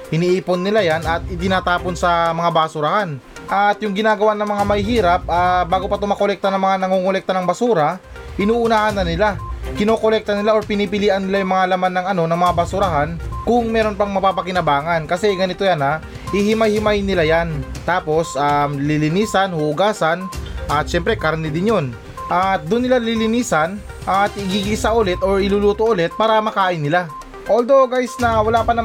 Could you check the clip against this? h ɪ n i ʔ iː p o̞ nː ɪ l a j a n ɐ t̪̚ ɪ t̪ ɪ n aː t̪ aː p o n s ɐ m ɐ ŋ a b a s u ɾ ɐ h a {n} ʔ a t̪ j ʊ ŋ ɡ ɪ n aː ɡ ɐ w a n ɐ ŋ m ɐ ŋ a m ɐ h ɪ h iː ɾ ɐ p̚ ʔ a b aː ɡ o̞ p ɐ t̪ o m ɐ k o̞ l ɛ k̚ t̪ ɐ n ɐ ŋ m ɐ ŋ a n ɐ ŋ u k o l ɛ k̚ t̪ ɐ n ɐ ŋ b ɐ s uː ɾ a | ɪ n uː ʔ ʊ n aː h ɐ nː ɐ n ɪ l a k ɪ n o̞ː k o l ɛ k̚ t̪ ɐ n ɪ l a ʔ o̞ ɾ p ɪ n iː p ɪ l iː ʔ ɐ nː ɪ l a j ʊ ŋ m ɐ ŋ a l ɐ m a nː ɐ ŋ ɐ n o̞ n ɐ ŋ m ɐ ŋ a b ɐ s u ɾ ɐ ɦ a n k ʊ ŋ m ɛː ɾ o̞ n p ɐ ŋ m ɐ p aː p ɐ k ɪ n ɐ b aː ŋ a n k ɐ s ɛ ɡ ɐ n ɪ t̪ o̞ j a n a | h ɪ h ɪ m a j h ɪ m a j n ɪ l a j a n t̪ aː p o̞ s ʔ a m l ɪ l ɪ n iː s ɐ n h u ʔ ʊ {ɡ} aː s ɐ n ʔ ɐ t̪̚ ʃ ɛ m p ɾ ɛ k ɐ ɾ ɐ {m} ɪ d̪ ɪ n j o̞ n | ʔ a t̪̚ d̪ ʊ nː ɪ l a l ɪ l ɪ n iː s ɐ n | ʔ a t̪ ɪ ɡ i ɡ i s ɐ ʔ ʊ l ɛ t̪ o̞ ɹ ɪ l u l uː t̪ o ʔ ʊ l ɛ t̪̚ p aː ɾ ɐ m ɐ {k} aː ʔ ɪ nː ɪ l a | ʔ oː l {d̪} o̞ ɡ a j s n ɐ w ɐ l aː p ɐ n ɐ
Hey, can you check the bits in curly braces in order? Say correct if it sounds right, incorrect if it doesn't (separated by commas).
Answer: correct, correct, incorrect, correct, correct